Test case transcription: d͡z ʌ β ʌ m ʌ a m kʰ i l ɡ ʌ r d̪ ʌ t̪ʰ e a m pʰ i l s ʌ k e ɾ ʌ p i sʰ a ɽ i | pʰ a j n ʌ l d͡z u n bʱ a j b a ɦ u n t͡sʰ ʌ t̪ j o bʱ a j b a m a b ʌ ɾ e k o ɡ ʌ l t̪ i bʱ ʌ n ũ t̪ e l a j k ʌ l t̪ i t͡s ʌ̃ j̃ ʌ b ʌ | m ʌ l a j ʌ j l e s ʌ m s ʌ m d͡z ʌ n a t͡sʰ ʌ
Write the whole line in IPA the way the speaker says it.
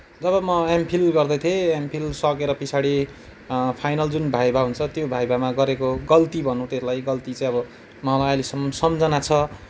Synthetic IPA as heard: d͡z ʌ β ʌ m ʌ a m pʰ i l ɡ ʌ r d̪ ʌ t̪ʰ e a m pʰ i l s ʌ k e ɾ ʌ p i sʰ a ɽ i | pʰ a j n ʌ l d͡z u n bʱ a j b a ɦ u n t͡sʰ ʌ t̪ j o bʱ a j b a m a ɡ ʌ ɾ e k o ɡ ʌ l t̪ i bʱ ʌ n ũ t̪ e l a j ɡ ʌ l t̪ i t͡s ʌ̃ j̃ ʌ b ʌ | m ʌ l a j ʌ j l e s ʌ m s ʌ m d͡z ʌ n a t͡sʰ ʌ